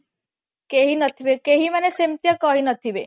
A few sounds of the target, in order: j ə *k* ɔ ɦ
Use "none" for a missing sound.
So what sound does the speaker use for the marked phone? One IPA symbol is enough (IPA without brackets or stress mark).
k